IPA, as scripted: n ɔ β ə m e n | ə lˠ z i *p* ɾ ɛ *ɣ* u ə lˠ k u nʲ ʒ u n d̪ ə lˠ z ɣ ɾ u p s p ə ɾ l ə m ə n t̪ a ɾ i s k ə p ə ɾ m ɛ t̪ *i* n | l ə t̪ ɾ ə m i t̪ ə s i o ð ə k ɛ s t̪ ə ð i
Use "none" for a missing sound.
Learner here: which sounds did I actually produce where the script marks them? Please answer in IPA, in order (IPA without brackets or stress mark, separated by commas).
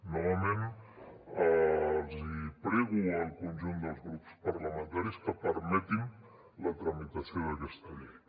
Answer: p, ɣ, i